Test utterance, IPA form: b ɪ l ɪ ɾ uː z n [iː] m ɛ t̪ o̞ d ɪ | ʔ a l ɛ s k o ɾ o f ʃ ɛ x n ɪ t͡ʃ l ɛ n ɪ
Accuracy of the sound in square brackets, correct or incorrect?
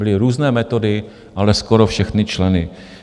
incorrect